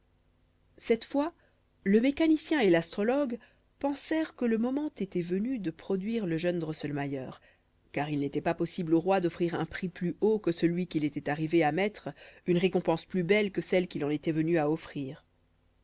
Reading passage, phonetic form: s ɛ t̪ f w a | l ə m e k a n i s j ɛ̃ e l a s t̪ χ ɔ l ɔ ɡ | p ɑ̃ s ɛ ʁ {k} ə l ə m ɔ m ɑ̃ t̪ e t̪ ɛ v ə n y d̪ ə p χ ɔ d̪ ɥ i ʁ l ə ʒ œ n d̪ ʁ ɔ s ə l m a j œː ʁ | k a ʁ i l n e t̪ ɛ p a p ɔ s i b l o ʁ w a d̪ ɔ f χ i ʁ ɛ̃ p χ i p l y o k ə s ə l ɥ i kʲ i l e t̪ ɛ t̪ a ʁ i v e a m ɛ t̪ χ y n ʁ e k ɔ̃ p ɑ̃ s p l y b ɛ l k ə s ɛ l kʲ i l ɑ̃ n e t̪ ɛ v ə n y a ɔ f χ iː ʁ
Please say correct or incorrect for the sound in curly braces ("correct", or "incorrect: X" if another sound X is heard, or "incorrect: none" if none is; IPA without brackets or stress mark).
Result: correct